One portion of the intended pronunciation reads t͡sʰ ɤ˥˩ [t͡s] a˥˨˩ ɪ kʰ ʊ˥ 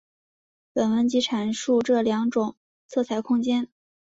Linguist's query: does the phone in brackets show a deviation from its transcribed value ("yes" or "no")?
yes